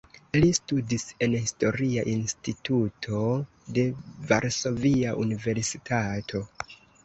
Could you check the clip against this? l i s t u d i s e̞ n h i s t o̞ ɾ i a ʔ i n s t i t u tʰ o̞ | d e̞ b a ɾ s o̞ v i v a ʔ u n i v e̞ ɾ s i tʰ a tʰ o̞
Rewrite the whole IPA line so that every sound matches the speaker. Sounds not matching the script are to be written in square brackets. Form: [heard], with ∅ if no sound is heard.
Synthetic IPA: l i s t u d i s e̞ n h i s t o̞ ɾ i a ʔ i n s t i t u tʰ o̞ | d e̞ [v] a ɾ s o̞ v i [∅] a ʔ u n i v e̞ ɾ s i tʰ a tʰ o̞